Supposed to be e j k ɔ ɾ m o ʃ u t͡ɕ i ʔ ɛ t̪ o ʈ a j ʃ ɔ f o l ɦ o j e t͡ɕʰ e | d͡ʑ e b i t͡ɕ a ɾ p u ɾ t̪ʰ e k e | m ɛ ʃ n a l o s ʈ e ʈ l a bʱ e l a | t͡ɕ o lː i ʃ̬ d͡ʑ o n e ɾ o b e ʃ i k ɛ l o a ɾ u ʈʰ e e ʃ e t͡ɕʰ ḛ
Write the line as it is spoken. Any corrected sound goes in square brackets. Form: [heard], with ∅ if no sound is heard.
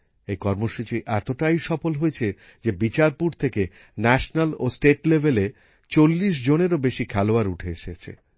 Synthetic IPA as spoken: e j k ɔ ɾ m o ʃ u t͡ɕ i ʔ ɛ t̪ o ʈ a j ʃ ɔ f o l ɦ o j e t͡ɕʰ e | d͡ʑ e b i t͡ɕ a ɾ p u ɾ t̪ʰ e k e | [n] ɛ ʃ n a l o s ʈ e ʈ l [e] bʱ e l [e] | t͡ɕ o lː i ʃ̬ d͡ʑ o n e ɾ o b e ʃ i [kʰ] ɛ l o a ɾ u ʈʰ e e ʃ e t͡ɕʰ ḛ

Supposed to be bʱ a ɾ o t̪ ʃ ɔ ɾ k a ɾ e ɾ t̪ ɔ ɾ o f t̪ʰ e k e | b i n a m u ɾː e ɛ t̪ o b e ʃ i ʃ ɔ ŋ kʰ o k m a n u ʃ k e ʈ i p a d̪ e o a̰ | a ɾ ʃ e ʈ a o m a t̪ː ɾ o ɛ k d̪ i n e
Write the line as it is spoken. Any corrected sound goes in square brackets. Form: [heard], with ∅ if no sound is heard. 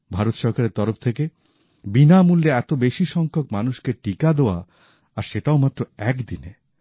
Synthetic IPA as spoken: bʱ a ɾ o t̪ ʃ ɔ ɾ k a ɾ e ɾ t̪ ɔ ɾ o f t̪ʰ e k e | b i n a m u [lː] e ɛ t̪ o b e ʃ i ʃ ɔ ŋ kʰ o k m a n u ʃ k e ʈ i [k] a d̪ e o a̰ | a ɾ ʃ e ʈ a o m a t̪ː ɾ o ɛ k d̪ i n e

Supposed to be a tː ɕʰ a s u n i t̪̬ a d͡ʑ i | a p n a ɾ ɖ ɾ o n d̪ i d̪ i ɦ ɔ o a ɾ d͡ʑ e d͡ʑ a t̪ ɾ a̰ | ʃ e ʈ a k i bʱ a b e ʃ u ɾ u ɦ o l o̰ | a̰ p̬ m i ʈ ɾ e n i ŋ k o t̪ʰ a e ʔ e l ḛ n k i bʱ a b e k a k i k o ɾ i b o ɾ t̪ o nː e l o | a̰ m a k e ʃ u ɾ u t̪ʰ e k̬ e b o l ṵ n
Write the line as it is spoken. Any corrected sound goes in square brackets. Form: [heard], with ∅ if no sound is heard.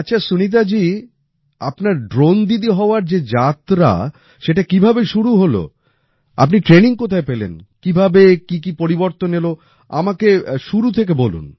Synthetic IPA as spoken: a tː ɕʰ a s u n i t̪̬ a d͡ʑ i | a p n a ɾ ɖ ɾ o n d̪ i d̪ i ɦ ɔ o a ɾ d͡ʑ e d͡ʑ a t̪ ɾ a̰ | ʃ e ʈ a k i bʱ a b e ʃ u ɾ u ɦ o l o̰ | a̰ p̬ [n] i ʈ ɾ e n i ŋ k o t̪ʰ a e [p] e l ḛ n k i bʱ a b e k [i] k i [p] o ɾ i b o ɾ t̪ o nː e l o | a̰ m a k e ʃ u ɾ u t̪ʰ e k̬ e b o l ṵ n

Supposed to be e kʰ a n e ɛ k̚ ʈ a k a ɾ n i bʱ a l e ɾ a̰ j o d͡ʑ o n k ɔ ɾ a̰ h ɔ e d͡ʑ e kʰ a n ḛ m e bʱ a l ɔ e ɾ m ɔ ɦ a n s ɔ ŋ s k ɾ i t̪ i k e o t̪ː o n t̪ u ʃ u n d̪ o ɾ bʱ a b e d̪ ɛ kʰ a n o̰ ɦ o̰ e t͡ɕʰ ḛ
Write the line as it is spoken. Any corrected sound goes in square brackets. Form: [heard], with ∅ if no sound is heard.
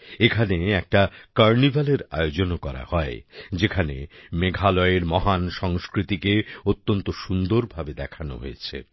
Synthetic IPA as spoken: e kʰ a n e ɛ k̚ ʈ a k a ɾ n i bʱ a l e ɾ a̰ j o d͡ʑ o n k ɔ ɾ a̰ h ɔ e d͡ʑ e kʰ a n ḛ m e [ɡʱ] a l ɔ e ɾ m ɔ ɦ a n [ʃ] ɔ ŋ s k ɾ i t̪ i k e o t̪ː o n t̪ [o] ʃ u n d̪ o ɾ bʱ a b e d̪ ɛ kʰ a n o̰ ɦ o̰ e t͡ɕʰ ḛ

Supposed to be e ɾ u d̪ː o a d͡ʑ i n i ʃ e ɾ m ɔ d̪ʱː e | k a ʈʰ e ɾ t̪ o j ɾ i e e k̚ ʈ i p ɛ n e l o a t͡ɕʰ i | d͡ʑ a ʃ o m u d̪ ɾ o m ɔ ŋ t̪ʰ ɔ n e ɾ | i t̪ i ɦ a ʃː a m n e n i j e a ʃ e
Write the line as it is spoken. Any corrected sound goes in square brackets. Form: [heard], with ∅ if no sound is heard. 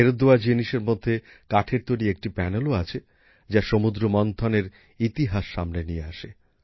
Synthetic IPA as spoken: e ɾ [o] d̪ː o a d͡ʑ i n i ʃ e ɾ m [o] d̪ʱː e | k a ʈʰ e ɾ t̪ o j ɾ i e e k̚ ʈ i p ɛ n e l o a t͡ɕʰ [e] | d͡ʑ a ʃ o m u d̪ ɾ o m ɔ [n] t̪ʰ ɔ n e ɾ | i t̪ i ɦ a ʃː a m n e n i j e a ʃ e

